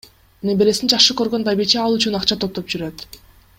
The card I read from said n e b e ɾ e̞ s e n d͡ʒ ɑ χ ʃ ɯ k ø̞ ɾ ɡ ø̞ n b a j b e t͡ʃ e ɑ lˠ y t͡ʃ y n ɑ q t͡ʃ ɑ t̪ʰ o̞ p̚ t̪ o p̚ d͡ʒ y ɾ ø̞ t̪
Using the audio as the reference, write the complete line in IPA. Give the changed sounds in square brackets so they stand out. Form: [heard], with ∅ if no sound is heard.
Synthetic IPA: n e b e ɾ e̞ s [i] n d͡ʒ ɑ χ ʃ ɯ k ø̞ ɾ ɡ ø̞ n b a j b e t͡ʃ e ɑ lˠ y t͡ʃ y n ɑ q t͡ʃ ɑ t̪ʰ o̞ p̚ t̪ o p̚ d͡ʒ y ɾ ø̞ t̪

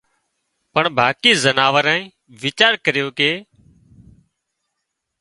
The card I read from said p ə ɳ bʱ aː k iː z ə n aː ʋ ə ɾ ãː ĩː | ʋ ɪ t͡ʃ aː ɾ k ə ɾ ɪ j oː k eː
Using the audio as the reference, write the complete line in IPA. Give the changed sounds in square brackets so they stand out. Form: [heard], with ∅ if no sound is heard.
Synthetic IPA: p ə ɳ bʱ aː k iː z ə n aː ʋ ə ɾ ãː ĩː | ʋ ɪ t͡ʃ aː ɾ k ə ɾ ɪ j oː k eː

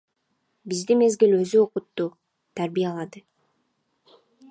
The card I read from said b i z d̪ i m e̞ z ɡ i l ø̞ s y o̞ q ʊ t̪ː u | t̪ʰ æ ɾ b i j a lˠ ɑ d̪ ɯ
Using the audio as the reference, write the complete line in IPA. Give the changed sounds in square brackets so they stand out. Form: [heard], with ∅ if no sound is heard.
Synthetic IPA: b i z d̪ i m e̞ z ɡ i l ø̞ [z] y o̞ q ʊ t̪ː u | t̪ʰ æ ɾ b i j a lˠ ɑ d̪ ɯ

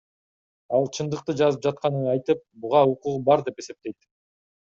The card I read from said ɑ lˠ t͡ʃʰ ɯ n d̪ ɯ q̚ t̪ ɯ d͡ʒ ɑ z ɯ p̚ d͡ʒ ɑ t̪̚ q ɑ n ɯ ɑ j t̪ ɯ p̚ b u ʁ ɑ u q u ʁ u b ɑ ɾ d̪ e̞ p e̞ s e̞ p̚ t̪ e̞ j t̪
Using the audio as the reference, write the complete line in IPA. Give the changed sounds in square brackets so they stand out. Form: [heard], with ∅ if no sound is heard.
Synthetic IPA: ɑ lˠ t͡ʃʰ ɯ n d̪ ɯ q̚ t̪ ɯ d͡ʒ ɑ z ɯ p̚ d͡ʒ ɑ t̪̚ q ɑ n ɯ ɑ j t̪ ɯ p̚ b u ʁ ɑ u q u ʁ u b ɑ ɾ d̪ e̞ p e̞ s e̞ p̚ t̪ e̞ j t̪

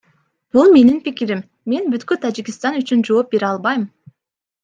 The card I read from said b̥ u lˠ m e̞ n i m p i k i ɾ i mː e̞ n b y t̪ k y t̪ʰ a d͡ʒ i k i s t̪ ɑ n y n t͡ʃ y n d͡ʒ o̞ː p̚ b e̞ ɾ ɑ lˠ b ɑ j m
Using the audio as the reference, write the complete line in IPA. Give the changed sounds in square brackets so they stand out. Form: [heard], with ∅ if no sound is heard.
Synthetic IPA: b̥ u lˠ m e̞ n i [n] p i k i ɾ i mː e̞ n b y t̪ k y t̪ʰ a d͡ʒ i k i s t̪ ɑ n y [∅] t͡ʃ y n d͡ʒ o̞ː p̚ b e̞ ɾ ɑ lˠ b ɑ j m

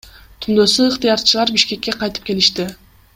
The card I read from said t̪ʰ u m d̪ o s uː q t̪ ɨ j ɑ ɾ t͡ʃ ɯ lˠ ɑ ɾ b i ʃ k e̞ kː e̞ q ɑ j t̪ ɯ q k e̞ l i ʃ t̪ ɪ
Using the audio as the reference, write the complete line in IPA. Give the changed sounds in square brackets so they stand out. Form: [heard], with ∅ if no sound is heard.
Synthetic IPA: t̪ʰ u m d̪ o s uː q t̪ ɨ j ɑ ɾ t͡ʃ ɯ lˠ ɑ ɾ b i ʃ k e̞ kː e̞ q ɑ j t̪ ɯ [p] k e̞ l i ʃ t̪ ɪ

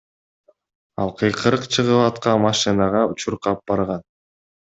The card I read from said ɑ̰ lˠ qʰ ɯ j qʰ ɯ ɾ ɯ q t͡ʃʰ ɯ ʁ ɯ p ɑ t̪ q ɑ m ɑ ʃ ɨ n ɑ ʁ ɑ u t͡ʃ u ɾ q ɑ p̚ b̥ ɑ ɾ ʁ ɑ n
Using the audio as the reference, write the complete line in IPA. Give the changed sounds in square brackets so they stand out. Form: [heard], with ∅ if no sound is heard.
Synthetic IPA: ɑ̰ lˠ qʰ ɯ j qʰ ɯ ɾ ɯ q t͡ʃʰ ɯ ʁ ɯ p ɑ t̪ q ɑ m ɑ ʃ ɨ n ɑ ʁ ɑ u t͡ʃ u ɾ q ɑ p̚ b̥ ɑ ɾ ʁ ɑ n

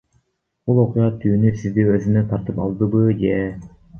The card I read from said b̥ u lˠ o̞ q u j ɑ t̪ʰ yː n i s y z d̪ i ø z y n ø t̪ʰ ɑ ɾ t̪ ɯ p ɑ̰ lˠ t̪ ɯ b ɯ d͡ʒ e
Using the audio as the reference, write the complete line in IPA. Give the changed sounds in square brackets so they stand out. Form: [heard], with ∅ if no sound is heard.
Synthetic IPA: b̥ u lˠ o̞ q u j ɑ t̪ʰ yː n [y] s [i] z d̪ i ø z y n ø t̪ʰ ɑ ɾ t̪ ɯ p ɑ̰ lˠ [d̪] ɯ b ɯ d͡ʒ e

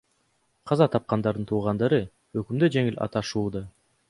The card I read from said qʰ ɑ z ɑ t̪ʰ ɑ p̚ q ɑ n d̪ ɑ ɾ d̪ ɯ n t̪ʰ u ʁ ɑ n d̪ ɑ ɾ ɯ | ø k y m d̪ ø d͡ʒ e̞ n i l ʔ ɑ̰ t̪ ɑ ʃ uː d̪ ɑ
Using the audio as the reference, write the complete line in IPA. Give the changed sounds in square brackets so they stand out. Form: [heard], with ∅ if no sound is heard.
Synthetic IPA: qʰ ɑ z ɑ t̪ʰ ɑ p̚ q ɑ n d̪ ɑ ɾ d̪ ɯ n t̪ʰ [uː] ʁ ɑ n d̪ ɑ ɾ ɯ | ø k y m d̪ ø d͡ʒ e̞ [ŋ] i l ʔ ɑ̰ t̪ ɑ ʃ uː d̪ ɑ

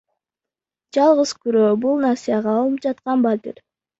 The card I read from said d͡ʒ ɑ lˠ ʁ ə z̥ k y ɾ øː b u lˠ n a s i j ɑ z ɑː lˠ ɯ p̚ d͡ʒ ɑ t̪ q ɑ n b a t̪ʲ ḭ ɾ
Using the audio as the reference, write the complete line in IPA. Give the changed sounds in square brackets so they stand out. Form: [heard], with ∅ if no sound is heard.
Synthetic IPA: d͡ʒ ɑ lˠ ʁ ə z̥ k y ɾ øː b u lˠ n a s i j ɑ [ʁ] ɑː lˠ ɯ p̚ d͡ʒ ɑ t̪ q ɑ n b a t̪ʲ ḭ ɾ

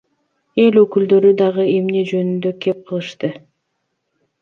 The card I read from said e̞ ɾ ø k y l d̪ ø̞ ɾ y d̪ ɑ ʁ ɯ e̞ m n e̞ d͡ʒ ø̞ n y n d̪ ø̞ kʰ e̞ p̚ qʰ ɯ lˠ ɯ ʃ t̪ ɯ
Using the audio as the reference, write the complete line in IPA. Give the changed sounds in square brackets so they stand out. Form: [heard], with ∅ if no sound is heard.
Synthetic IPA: e̞ [l] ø k y l d̪ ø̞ ɾ y d̪ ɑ ʁ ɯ e̞ m n e̞ d͡ʒ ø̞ n y n d̪ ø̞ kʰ e̞ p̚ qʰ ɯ lˠ ɯ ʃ t̪ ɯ

